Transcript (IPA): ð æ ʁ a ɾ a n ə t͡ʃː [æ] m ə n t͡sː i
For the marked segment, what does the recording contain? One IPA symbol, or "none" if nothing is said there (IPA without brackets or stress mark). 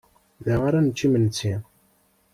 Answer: i